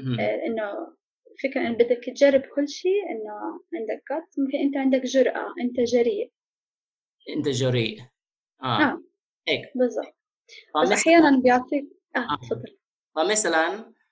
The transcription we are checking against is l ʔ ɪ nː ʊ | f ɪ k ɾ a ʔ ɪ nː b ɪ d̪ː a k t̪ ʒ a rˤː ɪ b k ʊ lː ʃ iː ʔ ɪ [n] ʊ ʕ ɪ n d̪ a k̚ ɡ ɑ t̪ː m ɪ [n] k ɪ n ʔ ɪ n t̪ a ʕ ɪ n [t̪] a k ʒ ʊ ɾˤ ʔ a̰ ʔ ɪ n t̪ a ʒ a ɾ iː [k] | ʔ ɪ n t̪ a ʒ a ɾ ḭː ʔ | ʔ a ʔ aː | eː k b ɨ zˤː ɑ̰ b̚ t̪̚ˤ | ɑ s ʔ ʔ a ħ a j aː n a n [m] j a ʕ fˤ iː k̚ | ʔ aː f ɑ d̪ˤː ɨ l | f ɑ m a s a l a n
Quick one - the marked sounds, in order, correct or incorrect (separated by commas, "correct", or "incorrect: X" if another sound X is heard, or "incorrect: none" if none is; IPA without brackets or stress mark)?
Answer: incorrect: nː, incorrect: m, incorrect: d̪, incorrect: ʔ, incorrect: b